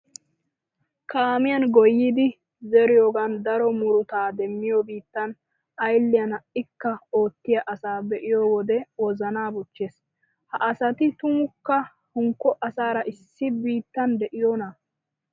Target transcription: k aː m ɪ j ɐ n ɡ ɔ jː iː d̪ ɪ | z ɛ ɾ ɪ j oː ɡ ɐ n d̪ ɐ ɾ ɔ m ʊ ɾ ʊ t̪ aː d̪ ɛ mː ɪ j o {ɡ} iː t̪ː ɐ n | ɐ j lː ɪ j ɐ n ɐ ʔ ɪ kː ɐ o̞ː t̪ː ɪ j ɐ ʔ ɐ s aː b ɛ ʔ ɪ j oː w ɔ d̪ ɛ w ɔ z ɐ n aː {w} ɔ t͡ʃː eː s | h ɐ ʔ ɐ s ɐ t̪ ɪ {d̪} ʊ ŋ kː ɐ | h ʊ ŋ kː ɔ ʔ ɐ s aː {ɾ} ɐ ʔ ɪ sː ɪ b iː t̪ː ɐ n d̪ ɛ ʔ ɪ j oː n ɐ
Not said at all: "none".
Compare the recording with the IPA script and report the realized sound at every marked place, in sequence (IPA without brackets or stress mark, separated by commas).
b, b, t̪, ɾ